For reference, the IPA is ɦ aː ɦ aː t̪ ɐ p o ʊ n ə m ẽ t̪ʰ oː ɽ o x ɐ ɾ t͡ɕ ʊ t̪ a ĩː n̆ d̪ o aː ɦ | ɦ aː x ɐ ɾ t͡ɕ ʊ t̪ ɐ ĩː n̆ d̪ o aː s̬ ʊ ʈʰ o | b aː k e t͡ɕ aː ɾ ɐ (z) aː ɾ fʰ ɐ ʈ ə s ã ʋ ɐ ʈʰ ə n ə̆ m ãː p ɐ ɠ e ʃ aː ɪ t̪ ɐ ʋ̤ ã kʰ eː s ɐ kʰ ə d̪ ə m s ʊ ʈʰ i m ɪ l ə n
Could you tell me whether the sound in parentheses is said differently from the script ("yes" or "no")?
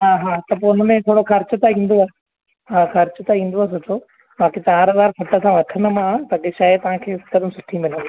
no